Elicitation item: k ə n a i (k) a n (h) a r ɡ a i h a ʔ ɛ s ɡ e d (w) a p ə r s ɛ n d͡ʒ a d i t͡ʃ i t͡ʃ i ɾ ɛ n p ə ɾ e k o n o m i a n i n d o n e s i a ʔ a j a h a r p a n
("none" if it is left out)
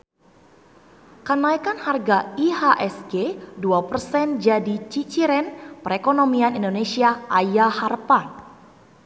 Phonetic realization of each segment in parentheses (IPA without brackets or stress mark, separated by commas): k, h, u